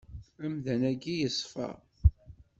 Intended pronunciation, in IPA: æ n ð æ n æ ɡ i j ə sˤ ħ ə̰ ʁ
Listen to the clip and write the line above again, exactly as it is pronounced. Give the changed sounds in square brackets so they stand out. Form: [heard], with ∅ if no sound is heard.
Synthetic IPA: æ [m] ð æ n æ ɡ i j ə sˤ [f] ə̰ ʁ